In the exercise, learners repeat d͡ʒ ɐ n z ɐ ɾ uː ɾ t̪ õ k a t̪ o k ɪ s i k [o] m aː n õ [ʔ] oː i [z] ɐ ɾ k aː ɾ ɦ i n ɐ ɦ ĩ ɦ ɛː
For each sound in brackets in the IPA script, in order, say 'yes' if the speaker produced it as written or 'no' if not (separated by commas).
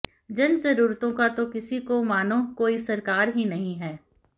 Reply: yes, no, no